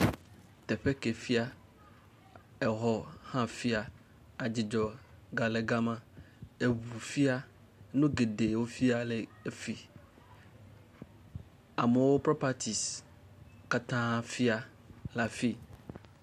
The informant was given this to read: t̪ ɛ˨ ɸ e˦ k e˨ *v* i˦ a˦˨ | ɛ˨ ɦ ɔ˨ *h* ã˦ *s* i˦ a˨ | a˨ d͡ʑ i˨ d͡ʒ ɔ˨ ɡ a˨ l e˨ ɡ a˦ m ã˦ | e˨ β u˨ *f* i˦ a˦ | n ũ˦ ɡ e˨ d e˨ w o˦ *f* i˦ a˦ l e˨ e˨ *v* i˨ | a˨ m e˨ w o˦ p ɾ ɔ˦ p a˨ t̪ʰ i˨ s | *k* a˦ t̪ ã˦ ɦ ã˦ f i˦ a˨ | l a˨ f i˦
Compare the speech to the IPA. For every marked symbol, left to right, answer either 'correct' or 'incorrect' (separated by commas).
incorrect, correct, incorrect, correct, correct, incorrect, correct